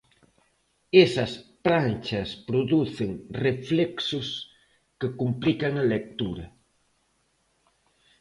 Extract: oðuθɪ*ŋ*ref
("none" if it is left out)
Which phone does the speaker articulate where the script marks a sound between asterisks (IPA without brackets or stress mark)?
ŋ